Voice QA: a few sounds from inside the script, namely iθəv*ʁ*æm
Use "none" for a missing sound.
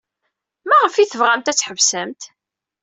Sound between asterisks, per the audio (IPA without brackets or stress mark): ʁ